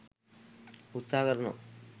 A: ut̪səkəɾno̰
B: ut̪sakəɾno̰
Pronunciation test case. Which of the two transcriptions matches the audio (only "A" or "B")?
B